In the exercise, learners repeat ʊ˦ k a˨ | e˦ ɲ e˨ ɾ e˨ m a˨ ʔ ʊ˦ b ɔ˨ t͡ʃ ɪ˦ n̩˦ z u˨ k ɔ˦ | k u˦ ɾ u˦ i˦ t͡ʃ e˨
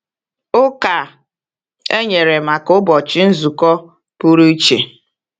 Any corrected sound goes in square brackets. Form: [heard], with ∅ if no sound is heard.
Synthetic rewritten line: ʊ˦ k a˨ | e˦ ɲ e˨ ɾ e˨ m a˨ [k] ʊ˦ b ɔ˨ t͡ʃ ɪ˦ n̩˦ z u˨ k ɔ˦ | [p] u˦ ɾ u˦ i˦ t͡ʃ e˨

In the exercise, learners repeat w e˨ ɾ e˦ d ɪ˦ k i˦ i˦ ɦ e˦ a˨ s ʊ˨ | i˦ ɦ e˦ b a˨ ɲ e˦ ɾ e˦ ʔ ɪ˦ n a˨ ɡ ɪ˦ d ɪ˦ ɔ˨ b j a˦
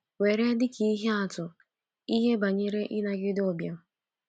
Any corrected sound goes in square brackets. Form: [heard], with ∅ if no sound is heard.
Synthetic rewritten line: w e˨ ɾ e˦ d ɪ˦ k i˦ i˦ ɦ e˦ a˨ [t] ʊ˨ | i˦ ɦ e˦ b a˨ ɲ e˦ ɾ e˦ ʔ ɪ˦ n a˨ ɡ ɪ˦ d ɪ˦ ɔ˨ b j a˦

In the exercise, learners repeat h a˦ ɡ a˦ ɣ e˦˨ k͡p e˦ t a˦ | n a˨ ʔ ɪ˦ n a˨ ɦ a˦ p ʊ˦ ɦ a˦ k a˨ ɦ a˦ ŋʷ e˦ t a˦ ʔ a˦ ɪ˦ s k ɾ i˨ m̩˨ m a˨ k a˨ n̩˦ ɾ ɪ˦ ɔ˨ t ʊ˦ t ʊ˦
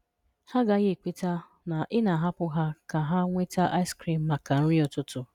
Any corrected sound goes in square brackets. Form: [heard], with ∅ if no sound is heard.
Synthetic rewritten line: h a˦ ɡ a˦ ɣ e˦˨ k͡p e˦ t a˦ | n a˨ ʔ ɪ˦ n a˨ ɦ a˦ p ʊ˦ ɦ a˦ k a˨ ɦ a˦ ŋʷ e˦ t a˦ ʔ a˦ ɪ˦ s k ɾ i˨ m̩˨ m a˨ k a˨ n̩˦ ɾ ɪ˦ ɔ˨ t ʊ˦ t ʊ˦

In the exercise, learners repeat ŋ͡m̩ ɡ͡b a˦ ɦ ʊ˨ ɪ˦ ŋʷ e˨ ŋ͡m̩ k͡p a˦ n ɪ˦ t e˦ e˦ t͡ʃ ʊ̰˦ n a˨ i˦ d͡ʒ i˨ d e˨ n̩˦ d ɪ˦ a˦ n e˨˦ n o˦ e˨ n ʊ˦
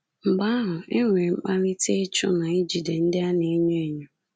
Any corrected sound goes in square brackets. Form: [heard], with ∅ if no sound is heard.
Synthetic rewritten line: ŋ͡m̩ ɡ͡b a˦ ɦ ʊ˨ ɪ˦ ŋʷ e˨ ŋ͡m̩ k͡p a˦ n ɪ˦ t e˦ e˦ t͡ʃ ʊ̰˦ n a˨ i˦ d͡ʒ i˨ d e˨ n̩˦ d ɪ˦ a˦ n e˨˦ [ɲ] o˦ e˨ [ɲ] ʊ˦

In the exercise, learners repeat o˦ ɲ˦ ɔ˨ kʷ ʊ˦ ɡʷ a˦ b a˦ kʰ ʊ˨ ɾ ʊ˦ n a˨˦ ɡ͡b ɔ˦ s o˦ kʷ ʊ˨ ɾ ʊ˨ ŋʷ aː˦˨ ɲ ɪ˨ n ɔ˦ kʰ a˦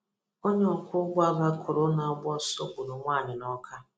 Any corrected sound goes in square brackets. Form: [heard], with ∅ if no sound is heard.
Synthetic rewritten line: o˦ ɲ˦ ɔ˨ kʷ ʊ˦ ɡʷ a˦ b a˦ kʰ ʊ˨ ɾ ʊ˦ n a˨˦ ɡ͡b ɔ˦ s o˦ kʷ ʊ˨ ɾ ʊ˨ ŋʷ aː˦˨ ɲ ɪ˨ n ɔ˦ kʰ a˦

